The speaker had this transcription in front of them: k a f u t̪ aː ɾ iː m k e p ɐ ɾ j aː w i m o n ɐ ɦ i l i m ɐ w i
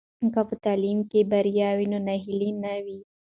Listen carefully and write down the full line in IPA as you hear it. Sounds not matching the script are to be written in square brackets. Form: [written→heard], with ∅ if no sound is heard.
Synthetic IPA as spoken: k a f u t̪ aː [ɾ→l] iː m k e [p→b] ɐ ɾ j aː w i [m→n] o n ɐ ɦ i l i [m→n] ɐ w i